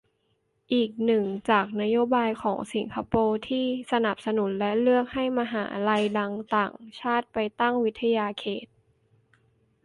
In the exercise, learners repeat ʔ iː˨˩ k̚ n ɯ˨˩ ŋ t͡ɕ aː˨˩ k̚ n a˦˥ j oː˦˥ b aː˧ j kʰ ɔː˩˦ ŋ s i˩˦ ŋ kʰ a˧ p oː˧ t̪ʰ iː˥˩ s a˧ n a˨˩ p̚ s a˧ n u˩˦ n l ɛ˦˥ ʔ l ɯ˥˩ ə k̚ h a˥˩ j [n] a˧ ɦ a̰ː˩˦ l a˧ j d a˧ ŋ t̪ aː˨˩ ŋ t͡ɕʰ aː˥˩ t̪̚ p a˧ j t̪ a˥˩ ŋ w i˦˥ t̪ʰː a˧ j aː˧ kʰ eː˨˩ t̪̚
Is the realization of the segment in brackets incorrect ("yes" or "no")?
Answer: yes